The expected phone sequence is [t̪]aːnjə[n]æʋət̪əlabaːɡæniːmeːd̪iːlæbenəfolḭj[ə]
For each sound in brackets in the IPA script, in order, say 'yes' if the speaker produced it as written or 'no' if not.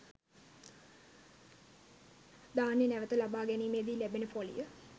no, yes, yes

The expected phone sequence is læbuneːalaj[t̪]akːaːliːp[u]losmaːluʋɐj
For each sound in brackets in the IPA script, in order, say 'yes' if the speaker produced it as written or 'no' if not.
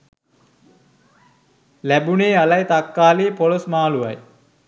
yes, no

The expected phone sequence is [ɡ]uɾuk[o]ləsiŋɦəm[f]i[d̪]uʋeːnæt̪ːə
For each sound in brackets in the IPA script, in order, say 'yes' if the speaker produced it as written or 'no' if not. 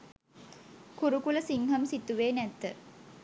no, no, no, no

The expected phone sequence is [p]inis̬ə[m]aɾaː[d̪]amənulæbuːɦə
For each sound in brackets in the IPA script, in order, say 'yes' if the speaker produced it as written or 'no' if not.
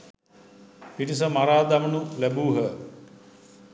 yes, yes, yes

